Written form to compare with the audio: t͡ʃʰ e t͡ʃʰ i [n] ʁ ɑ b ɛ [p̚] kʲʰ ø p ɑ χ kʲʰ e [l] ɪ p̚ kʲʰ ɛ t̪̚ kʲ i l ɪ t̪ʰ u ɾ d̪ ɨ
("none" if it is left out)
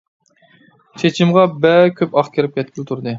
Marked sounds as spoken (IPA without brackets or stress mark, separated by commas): m, none, ɾ